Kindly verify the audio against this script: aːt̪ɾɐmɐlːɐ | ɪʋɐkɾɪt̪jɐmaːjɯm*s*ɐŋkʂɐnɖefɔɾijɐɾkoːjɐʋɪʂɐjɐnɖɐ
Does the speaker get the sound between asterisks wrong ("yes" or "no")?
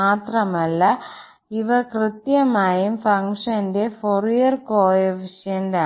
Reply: yes